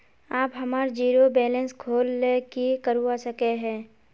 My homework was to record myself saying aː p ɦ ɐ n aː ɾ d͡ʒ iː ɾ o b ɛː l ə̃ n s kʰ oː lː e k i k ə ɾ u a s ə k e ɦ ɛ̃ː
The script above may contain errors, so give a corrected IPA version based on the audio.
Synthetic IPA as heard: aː p ɦ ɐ m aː ɾ d͡ʒ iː ɾ o b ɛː l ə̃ n s kʰ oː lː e k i k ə ɾ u a s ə k e ɦ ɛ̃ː